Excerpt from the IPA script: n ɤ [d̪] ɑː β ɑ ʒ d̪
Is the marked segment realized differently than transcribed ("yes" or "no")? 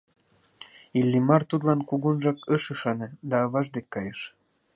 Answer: no